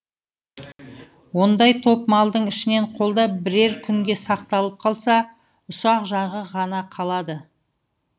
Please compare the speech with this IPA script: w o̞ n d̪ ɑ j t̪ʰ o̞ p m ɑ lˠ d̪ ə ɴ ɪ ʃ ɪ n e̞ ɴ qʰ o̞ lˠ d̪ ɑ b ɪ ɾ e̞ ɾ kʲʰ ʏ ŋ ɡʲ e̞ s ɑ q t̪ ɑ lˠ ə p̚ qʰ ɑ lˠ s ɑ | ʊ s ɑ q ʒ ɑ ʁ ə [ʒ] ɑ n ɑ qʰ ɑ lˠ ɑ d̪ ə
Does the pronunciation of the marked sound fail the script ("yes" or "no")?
yes